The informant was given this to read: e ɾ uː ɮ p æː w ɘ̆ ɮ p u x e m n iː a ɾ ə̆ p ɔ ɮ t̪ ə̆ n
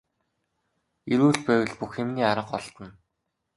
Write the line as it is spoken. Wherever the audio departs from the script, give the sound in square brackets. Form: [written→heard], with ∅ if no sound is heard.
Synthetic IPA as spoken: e ɾ uː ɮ p æː w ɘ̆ ɮ p u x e m n iː a ɾ ə̆ [p→q] ɔ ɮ t̪ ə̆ n